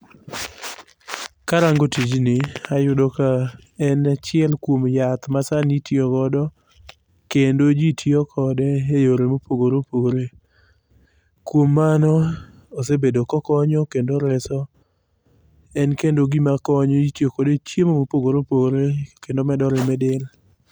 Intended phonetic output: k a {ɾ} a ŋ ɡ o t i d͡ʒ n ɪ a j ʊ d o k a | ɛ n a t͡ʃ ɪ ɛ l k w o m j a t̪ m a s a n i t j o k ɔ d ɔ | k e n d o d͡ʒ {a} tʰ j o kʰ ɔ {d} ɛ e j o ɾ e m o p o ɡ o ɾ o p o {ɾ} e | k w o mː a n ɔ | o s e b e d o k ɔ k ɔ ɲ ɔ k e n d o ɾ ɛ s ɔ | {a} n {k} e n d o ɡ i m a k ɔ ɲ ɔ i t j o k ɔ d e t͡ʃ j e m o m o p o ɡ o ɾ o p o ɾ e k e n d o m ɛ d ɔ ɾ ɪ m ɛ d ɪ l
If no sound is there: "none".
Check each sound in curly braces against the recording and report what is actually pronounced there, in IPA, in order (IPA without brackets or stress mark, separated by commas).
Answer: ɾ, i, d, ɾ, ɛ, k